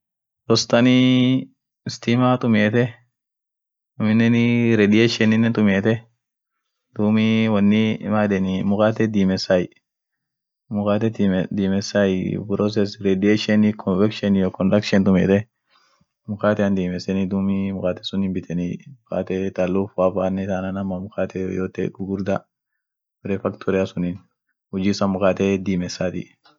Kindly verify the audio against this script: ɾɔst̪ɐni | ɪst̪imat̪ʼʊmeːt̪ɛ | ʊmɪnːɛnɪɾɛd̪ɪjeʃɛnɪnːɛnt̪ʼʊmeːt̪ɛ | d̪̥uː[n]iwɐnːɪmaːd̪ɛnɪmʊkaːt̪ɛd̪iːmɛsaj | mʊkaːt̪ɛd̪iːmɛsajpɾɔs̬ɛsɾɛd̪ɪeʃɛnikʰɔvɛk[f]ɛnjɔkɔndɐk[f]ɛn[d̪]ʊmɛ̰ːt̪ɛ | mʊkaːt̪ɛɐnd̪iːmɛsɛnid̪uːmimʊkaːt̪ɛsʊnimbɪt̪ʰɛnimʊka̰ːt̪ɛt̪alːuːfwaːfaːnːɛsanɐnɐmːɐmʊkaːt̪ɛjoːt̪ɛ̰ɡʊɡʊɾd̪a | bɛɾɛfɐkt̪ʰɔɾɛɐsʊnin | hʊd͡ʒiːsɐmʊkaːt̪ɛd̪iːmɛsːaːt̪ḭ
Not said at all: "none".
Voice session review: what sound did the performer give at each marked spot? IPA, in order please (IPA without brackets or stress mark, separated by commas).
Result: m, ʃ, ʃ, t̪